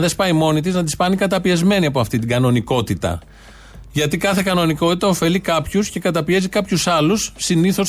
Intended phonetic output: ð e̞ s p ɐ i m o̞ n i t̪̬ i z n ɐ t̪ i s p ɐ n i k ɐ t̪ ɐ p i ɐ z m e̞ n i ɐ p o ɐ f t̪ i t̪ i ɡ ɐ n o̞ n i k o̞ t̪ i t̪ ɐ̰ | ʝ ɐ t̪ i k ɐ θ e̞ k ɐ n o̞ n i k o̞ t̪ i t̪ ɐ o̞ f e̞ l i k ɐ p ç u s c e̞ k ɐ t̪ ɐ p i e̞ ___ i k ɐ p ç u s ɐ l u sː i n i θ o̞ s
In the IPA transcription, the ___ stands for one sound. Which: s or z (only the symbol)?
z